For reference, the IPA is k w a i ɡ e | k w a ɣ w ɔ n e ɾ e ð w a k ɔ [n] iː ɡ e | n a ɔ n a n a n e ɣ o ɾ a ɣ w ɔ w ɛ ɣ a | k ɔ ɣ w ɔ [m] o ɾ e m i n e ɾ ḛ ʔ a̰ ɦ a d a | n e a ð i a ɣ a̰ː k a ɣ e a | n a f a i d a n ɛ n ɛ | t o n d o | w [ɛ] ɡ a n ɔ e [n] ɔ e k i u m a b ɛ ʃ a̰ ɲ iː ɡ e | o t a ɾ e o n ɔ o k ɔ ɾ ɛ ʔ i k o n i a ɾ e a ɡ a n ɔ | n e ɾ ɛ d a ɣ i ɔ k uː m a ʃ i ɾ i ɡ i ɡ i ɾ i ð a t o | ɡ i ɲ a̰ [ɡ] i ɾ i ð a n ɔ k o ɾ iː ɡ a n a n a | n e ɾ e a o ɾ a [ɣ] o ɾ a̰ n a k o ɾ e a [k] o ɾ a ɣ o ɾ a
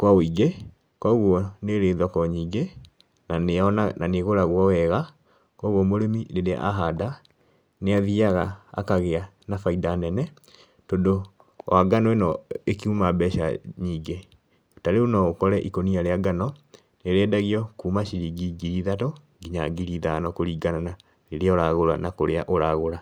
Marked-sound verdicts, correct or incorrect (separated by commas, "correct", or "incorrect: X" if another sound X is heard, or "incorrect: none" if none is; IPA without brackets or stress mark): incorrect: ɲ, correct, incorrect: a, correct, correct, correct, incorrect: ʔ